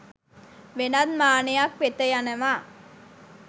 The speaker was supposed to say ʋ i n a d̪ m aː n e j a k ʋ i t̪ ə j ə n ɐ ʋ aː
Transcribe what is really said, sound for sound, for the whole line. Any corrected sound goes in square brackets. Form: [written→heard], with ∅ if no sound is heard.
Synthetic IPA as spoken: ʋ [i→e] n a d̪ m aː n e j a k ʋ [i→e] t̪ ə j [ə→a] n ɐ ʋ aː